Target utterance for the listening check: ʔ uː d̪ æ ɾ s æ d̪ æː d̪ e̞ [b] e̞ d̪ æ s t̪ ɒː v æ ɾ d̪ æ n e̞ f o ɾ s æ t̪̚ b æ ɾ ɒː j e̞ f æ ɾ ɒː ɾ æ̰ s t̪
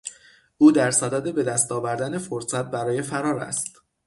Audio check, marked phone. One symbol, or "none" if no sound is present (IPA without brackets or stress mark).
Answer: b